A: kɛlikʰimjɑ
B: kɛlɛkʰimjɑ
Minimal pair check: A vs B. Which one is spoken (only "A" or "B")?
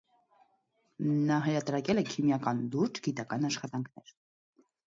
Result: B